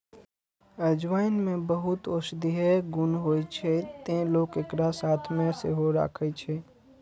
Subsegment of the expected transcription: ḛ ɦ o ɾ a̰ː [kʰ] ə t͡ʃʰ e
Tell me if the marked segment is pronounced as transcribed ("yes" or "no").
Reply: yes